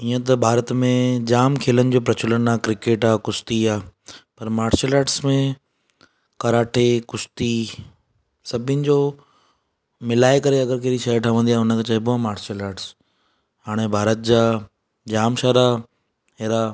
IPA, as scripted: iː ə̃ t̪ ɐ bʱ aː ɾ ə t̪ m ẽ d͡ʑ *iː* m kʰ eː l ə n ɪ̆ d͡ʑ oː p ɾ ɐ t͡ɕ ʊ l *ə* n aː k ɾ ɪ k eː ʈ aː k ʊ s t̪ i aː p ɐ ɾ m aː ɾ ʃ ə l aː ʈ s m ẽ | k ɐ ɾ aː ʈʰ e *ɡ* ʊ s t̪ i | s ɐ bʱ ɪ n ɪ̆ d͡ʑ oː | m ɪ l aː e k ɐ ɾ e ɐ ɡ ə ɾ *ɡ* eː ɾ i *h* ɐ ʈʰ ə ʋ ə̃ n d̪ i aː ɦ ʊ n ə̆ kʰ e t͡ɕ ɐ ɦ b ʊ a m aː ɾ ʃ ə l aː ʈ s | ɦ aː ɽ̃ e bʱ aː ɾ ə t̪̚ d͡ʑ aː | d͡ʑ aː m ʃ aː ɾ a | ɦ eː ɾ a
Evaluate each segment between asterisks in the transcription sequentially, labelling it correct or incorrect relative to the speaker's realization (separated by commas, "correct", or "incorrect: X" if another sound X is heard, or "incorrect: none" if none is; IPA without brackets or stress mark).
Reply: incorrect: aː, correct, incorrect: k, incorrect: k, incorrect: ʃ